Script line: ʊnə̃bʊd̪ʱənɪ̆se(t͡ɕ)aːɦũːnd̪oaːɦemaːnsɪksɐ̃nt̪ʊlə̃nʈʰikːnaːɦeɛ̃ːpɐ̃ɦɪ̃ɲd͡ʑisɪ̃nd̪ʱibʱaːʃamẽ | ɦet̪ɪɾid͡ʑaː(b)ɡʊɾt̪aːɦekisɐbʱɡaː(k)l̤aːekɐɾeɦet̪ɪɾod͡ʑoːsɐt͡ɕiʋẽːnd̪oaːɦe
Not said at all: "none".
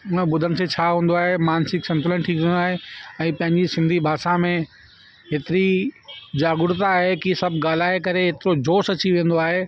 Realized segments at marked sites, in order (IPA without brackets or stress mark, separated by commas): t͡ɕʰ, none, none